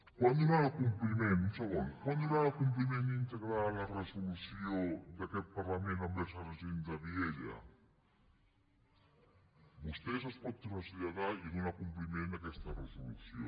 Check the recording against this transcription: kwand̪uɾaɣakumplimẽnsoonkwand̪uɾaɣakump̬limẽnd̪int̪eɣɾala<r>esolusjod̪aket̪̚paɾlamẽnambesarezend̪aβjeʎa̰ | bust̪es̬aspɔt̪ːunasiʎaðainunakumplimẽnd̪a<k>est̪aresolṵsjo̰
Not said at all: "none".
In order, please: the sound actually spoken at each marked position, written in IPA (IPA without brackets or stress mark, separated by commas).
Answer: r, k